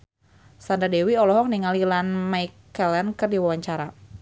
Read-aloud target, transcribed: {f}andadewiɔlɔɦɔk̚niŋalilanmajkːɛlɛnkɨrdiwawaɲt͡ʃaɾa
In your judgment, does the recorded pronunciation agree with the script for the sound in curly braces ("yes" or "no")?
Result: no